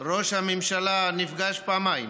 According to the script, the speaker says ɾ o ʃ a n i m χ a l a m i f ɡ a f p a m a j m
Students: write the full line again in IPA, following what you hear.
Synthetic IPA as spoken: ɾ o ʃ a m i m ʃ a l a n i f ɡ a ʃ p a m a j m